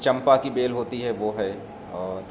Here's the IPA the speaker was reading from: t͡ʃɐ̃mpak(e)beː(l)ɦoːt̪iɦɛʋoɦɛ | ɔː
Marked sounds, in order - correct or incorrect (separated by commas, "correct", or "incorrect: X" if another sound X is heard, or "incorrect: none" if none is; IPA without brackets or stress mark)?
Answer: incorrect: i, correct